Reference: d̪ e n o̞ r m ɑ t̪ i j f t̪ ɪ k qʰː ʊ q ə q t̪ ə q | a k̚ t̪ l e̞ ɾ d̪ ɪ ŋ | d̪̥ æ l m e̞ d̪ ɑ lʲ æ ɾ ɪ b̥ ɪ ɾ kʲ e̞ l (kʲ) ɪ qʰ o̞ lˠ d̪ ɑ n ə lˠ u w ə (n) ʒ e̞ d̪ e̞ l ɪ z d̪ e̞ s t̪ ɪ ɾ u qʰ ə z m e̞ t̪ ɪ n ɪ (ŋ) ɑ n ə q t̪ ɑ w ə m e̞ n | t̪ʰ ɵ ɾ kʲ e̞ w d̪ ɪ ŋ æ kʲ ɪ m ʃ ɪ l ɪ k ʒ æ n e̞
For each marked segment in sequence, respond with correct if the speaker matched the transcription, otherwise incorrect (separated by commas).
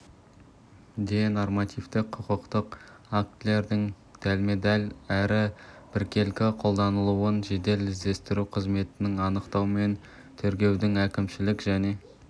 correct, correct, correct